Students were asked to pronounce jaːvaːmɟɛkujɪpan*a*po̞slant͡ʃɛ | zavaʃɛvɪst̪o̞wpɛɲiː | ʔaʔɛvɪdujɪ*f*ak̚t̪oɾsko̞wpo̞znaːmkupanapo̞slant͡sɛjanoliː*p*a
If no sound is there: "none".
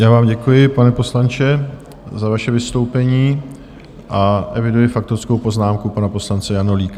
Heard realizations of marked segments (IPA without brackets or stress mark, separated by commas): ɛ, f, k